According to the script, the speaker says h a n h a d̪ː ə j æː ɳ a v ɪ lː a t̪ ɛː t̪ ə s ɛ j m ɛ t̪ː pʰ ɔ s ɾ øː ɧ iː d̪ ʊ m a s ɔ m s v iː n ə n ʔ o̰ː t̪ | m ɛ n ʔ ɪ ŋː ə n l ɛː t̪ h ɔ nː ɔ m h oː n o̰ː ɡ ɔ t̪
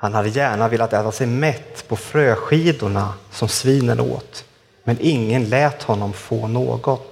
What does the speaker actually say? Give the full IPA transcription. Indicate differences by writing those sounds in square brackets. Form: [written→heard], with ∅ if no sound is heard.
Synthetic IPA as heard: h a n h a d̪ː ə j æː ɳ a v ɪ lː a t̪ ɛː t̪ [ə→a] s ɛ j m ɛ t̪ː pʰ ɔ [s→f] ɾ øː ɧ iː d̪ ʊ [m→ɳ] a s ɔ m s v iː n ə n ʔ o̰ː t̪ | m ɛ n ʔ ɪ ŋː ə n l ɛː t̪ h ɔ nː ɔ m [h→f] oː n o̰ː ɡ ɔ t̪